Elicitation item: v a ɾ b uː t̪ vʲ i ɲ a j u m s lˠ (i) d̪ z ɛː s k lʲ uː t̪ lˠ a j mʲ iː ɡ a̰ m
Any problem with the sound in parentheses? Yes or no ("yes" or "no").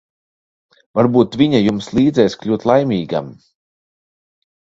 yes